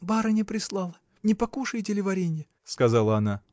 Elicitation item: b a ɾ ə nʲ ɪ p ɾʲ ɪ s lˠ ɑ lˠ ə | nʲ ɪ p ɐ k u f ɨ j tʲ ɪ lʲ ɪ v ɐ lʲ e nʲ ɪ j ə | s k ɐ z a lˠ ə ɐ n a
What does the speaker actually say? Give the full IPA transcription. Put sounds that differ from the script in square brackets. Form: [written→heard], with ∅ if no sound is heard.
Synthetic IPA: b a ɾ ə nʲ ɪ p ɾʲ ɪ s lˠ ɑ lˠ ə | nʲ ɪ p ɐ k u [f→ʂ] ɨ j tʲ ɪ lʲ ɪ v ɐ [lʲ→ɾʲ] e nʲ ɪ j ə | s k ɐ z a lˠ ə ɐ n a